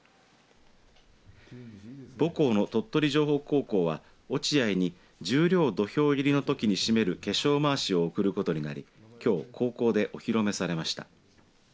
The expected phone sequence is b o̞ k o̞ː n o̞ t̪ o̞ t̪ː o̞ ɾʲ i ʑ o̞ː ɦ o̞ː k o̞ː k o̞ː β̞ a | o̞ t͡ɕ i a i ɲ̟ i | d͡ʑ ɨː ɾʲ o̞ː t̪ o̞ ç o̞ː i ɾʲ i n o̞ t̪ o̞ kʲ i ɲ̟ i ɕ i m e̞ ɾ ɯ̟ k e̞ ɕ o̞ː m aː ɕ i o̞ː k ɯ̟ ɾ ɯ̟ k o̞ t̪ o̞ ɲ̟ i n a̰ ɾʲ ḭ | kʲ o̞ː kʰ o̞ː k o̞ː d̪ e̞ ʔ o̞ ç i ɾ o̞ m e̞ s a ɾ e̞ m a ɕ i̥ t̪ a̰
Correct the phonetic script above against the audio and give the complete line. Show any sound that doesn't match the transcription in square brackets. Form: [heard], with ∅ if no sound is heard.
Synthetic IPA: b o̞ k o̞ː n o̞ t̪ o̞ t̪ː o̞ ɾʲ i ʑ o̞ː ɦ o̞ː k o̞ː k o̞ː β̞ a | o̞ t͡ɕ i a i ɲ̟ i | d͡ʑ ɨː ɾʲ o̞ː [d̪] o̞ ç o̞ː i ɾʲ i n o̞ t̪ o̞ kʲ i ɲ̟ i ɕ i m e̞ ɾ ɯ̟ k e̞ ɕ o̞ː m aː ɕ i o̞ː k ɯ̟ ɾ ɯ̟ k o̞ t̪ o̞ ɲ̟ i n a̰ ɾʲ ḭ | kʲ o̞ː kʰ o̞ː k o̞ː d̪ e̞ ʔ o̞ ç i ɾ o̞ m e̞ s a ɾ e̞ m a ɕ i̥ t̪ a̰